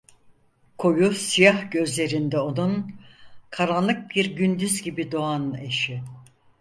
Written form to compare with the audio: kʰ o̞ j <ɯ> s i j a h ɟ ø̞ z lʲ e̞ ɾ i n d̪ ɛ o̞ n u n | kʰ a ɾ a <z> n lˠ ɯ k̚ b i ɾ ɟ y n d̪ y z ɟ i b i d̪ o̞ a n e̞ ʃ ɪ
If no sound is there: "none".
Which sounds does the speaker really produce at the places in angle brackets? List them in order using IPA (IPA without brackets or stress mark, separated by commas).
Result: u, none